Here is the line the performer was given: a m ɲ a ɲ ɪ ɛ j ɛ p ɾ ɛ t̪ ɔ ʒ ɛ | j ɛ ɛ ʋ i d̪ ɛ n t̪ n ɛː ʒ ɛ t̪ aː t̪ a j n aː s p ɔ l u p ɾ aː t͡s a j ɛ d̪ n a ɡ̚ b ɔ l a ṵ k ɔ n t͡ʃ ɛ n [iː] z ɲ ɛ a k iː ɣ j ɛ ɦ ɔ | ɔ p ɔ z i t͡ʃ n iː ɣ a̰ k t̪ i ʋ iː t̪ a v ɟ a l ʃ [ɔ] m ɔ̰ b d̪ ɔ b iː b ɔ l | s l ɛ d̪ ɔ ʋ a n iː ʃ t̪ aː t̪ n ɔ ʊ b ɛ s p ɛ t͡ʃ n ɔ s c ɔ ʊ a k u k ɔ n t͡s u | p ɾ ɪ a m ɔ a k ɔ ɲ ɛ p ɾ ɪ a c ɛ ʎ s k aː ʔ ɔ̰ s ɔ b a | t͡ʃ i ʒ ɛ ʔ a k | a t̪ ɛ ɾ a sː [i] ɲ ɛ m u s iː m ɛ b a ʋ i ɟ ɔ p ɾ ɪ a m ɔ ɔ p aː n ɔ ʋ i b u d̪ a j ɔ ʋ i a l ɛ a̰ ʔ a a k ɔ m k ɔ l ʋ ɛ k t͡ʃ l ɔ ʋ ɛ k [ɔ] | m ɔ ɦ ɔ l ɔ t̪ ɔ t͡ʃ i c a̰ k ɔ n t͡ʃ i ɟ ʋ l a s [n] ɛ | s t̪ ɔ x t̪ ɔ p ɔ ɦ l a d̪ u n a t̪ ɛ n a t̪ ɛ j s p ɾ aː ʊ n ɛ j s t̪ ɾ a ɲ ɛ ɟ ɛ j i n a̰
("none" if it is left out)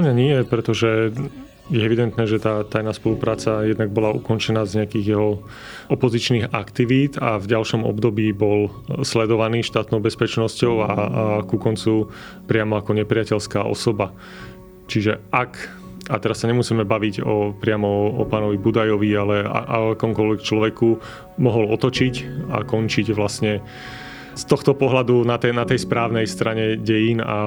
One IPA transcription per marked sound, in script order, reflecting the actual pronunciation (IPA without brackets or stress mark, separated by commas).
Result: aː, ɔ, a, u, ɲ